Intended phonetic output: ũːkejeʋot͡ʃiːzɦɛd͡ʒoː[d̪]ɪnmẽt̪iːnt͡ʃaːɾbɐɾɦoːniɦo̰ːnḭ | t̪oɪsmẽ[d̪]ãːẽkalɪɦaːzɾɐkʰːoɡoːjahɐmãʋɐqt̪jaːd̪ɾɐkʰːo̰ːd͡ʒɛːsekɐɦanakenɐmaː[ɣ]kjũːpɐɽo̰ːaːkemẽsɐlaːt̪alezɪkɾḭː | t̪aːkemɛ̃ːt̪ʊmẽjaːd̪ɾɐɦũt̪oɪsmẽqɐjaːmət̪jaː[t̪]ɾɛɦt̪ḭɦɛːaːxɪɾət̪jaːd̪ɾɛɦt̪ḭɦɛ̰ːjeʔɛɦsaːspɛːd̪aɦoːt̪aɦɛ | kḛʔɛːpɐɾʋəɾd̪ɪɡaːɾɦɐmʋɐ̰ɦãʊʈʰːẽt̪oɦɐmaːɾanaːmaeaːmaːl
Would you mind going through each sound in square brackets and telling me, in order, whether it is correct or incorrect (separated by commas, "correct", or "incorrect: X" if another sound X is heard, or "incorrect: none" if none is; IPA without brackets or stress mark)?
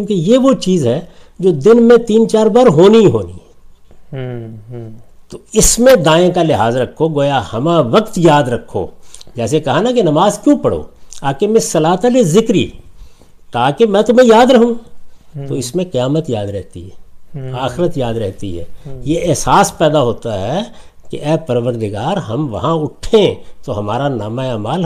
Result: correct, correct, incorrect: z, incorrect: d̪